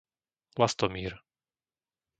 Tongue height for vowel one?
low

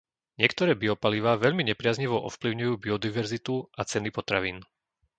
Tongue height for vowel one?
high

